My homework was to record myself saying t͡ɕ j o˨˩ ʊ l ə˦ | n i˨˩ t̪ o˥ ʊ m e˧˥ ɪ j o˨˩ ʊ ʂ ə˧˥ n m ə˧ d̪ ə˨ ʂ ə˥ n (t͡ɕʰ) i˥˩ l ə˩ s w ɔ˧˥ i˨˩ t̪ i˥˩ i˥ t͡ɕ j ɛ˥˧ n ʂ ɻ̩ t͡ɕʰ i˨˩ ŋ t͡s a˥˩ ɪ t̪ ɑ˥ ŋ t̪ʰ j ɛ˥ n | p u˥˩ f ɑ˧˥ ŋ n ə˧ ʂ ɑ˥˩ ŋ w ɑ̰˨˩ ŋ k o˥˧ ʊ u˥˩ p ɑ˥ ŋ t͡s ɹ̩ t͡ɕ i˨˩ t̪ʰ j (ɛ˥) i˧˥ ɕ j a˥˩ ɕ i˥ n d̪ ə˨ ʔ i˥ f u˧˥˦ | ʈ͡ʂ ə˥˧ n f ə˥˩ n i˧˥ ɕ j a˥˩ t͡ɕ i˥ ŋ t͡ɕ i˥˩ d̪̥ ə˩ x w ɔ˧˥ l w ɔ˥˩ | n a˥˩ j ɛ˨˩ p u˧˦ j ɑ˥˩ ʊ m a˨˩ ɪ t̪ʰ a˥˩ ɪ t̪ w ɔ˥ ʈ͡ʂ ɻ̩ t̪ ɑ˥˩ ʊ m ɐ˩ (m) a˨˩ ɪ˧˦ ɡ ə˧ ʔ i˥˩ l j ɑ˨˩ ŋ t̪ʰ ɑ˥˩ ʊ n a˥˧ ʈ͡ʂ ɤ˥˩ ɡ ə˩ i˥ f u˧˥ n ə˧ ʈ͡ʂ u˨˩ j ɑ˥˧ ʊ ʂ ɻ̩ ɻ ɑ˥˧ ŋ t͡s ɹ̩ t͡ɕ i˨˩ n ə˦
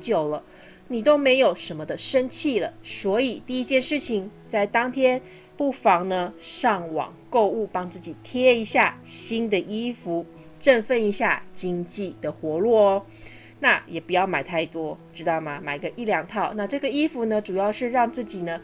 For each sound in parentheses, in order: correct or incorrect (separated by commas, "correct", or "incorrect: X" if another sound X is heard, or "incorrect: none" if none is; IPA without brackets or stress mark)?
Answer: correct, correct, correct